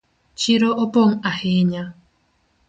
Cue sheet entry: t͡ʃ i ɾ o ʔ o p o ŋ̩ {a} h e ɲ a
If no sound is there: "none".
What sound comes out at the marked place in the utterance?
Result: a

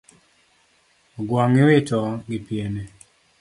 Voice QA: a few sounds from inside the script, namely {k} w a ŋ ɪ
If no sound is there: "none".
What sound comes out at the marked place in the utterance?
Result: ɡ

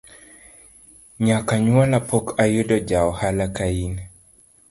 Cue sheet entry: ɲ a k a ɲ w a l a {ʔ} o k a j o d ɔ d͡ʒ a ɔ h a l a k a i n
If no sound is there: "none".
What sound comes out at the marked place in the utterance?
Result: p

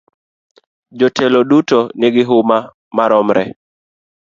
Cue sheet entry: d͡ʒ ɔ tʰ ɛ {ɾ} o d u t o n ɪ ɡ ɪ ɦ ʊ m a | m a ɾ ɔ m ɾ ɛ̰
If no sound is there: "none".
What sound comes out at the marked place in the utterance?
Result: l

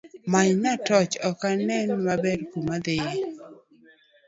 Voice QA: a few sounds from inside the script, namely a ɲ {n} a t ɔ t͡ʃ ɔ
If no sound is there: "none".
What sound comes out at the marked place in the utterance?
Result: n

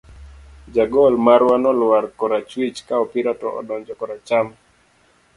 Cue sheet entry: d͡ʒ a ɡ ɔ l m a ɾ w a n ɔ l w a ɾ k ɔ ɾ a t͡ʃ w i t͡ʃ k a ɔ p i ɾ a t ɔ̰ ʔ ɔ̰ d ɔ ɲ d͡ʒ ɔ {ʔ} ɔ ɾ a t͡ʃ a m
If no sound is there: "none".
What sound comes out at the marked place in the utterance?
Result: k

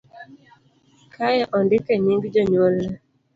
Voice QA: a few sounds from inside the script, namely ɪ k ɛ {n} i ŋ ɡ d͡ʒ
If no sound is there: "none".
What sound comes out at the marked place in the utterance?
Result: ɲ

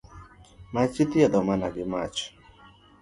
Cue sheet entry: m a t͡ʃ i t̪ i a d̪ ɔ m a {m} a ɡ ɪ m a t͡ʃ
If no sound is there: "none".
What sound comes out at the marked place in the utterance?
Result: n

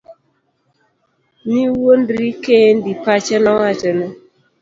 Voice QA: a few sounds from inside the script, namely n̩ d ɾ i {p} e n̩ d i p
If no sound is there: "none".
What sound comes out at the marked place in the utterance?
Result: k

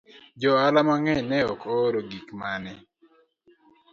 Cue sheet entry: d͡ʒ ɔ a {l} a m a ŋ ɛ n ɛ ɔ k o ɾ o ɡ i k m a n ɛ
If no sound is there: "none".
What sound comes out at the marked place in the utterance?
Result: l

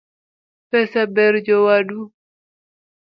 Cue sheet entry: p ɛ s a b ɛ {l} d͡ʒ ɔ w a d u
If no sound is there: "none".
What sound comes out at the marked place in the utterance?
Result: ɾ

